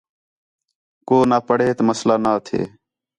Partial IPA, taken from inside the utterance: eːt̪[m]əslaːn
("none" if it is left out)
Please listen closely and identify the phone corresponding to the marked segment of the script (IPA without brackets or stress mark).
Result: m